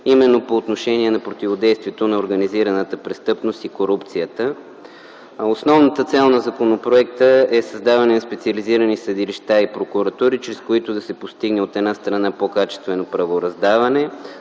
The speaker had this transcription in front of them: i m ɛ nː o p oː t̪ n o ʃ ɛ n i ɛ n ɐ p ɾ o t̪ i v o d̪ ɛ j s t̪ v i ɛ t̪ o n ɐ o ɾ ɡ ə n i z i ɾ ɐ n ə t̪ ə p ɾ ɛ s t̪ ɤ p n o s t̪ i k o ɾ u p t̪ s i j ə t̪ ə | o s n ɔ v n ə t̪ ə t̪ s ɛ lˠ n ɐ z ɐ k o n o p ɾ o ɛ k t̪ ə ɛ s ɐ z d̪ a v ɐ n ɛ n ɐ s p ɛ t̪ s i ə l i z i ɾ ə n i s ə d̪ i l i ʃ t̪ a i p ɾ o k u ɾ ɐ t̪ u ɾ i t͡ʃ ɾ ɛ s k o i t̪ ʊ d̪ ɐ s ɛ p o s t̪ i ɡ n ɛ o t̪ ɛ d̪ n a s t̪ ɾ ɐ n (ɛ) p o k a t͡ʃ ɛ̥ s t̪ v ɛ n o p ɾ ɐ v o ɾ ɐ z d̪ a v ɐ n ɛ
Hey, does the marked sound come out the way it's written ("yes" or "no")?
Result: no